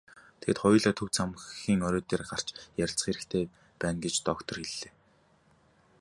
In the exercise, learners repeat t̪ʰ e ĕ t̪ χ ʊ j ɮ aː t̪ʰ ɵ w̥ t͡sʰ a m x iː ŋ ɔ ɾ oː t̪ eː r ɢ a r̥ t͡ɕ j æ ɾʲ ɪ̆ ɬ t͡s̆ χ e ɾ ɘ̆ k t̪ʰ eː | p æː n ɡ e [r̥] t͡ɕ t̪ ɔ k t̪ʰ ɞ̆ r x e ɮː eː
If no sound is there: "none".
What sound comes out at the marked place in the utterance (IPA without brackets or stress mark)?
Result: none